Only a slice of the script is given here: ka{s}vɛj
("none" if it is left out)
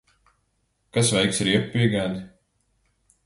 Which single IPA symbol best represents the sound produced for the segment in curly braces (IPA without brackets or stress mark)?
s